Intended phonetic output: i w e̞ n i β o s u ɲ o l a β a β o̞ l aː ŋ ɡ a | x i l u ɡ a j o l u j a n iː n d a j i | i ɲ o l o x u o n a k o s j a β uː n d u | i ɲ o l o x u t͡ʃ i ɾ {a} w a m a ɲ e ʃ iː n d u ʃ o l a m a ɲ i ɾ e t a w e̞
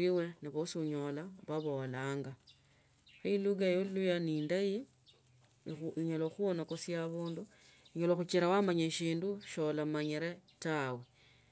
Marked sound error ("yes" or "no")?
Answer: no